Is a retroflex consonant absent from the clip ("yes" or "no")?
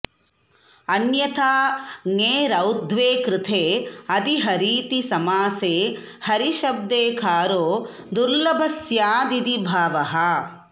yes